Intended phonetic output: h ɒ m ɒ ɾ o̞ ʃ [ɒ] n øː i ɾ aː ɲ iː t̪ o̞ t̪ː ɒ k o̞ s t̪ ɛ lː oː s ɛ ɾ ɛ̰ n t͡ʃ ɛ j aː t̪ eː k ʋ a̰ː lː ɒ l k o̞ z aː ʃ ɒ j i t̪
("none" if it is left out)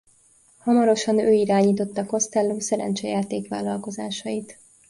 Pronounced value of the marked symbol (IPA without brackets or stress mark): ɒ